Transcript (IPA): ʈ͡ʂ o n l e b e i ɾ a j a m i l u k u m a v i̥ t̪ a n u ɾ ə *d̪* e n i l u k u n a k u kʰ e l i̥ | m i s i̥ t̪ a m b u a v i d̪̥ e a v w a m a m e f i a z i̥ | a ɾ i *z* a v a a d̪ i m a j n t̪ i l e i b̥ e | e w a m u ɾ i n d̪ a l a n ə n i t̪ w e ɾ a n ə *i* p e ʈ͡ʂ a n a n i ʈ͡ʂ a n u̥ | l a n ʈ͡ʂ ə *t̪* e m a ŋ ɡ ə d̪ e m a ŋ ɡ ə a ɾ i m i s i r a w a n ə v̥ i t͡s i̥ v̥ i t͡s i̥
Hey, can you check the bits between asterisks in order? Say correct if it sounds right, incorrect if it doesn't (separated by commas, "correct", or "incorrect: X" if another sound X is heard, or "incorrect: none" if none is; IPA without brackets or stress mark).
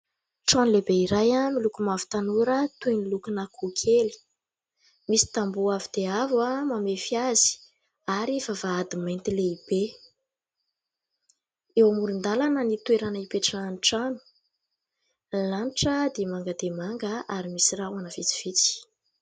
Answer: incorrect: t̪, incorrect: v, correct, incorrect: d̪